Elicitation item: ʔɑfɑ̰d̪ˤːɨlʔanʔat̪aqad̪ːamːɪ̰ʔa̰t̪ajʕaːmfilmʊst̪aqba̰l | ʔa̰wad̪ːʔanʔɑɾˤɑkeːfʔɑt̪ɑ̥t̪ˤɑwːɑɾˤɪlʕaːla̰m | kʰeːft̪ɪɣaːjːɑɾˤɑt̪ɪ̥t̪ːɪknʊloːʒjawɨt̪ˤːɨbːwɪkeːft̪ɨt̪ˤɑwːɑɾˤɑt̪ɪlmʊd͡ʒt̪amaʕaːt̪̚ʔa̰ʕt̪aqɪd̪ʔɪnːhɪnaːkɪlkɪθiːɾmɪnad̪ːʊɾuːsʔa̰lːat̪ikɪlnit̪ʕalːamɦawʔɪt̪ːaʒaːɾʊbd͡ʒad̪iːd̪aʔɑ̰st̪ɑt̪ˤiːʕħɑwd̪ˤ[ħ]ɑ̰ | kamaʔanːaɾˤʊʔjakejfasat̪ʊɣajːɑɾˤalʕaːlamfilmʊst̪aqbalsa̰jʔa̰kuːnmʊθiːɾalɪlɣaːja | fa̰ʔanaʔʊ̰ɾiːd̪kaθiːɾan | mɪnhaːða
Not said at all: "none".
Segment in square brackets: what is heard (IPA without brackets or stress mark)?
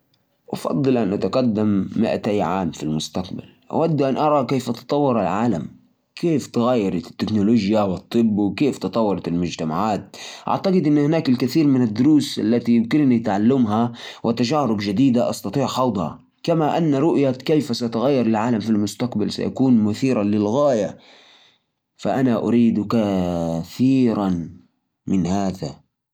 h